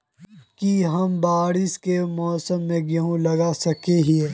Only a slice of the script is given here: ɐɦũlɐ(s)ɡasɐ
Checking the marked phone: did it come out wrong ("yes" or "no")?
yes